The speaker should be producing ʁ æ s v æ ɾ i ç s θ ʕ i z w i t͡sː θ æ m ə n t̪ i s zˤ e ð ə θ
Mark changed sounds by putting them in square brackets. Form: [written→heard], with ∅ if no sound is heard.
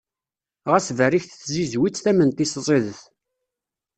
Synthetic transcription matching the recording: ʁ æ s v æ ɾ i ç [s→θ] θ [ʕ→z] i z w i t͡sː θ æ m ə n t̪ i s zˤ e ð ə θ